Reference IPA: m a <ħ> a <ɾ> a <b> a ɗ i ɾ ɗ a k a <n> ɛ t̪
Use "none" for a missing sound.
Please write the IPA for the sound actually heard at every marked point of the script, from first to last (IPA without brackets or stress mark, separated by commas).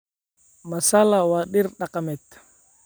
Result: s, l, w, m